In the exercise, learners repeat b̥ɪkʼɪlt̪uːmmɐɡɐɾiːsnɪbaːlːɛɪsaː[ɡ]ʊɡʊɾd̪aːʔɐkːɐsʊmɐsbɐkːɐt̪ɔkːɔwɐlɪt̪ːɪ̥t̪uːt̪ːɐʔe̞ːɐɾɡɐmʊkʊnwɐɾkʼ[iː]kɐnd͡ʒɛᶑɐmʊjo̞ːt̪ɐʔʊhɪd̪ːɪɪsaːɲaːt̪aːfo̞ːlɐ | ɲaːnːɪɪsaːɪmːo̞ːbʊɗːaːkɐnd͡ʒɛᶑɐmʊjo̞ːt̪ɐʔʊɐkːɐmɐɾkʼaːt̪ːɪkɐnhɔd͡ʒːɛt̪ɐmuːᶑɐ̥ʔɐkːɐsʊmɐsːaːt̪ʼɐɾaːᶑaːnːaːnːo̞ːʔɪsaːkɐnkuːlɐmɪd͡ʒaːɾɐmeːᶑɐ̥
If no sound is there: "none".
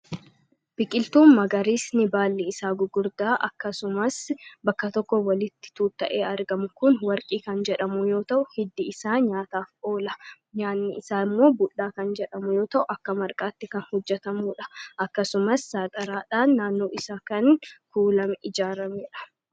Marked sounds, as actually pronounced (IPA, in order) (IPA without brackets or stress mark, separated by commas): ɡ, iː